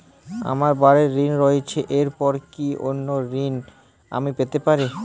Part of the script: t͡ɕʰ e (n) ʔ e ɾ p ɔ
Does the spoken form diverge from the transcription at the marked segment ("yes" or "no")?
yes